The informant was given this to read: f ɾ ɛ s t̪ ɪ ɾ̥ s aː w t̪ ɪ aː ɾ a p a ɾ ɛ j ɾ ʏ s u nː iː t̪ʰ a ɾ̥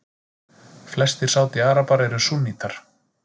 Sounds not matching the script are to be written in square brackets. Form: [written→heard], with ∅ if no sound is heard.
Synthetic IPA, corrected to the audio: f [ɾ→l] ɛ s t̪ ɪ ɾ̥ s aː w t̪ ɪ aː ɾ a p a ɾ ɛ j ɾ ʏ s u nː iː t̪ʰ a ɾ̥